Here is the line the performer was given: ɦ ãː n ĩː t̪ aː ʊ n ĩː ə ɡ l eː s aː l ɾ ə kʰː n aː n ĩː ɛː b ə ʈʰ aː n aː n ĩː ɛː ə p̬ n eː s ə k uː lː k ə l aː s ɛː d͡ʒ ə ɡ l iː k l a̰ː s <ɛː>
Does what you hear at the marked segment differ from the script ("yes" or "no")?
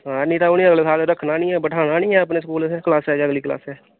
no